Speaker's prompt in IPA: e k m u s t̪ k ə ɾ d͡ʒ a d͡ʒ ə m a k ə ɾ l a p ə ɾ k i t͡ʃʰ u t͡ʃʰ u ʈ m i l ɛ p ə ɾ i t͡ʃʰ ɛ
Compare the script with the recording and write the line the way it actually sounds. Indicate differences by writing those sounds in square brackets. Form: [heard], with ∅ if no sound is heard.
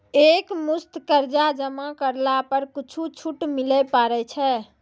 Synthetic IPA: e k m u s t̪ k ə ɾ d͡ʒ a d͡ʒ ə m a k ə ɾ l a p ə ɾ k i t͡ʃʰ u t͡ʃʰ u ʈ m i l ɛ p [a] ɾ [ɛ] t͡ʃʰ ɛ